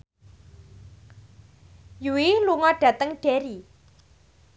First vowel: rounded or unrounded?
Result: rounded